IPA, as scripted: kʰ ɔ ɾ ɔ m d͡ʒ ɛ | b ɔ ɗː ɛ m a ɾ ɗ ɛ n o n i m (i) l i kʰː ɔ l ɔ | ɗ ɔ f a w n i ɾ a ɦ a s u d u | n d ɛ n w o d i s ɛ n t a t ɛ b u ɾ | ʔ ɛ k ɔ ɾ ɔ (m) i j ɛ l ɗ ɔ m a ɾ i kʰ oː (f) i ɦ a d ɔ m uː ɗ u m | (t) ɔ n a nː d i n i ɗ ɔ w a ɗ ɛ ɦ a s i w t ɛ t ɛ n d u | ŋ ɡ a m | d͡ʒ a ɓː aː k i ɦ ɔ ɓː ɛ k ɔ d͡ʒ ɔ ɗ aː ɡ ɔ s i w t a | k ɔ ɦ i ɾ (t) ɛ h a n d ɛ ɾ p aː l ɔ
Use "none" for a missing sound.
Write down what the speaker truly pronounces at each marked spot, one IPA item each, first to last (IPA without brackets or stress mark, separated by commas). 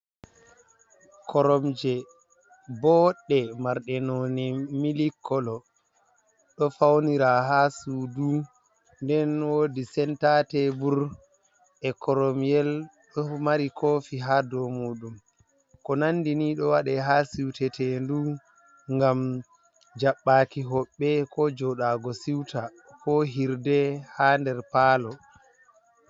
i, m, f, k, d